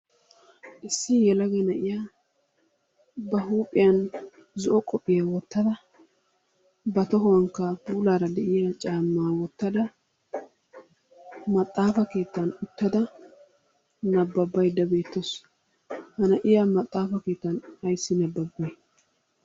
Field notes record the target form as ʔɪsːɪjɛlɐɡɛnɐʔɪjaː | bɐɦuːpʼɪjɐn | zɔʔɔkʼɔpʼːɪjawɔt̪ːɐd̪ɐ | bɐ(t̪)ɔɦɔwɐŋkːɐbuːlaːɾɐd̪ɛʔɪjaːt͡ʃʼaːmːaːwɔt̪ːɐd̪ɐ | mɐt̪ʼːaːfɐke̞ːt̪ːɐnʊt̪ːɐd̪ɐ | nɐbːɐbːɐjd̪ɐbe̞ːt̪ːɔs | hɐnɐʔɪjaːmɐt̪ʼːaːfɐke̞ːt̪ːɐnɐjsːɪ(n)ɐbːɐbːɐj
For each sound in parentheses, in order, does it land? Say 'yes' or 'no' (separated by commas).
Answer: yes, yes